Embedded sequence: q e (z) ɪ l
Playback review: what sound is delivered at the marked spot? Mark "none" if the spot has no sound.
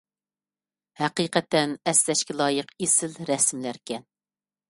s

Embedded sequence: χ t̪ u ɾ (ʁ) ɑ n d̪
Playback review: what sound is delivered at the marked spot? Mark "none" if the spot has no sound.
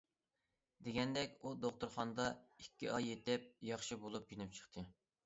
χ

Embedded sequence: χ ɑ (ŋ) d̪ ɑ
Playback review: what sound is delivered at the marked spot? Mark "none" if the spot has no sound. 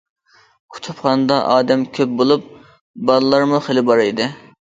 n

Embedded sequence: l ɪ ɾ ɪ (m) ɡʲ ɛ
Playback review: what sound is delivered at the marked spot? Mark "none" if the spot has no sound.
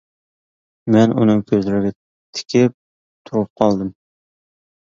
none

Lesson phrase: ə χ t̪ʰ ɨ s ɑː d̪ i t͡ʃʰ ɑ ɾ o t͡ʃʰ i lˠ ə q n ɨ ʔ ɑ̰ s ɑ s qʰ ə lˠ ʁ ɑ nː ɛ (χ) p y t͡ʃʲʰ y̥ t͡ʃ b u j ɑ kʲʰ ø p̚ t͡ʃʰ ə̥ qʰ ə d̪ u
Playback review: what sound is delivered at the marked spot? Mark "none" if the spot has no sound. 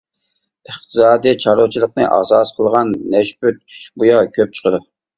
ʃ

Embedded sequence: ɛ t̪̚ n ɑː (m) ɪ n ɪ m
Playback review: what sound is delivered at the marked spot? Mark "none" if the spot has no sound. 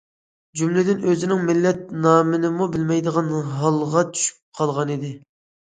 m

